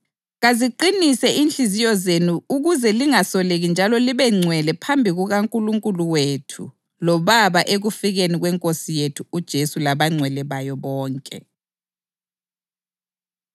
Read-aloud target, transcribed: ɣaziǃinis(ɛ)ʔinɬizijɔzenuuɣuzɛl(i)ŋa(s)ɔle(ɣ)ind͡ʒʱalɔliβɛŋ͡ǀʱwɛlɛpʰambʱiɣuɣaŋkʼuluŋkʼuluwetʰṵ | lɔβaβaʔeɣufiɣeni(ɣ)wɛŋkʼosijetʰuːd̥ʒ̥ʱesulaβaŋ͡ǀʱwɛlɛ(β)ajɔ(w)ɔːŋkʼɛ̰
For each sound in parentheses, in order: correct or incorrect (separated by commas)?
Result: correct, correct, correct, correct, correct, correct, incorrect